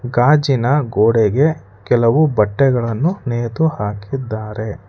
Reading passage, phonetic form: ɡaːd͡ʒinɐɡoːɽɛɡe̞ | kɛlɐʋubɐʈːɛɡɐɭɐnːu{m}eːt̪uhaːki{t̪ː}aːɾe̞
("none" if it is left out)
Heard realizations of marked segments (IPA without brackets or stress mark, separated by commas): n, d̪ː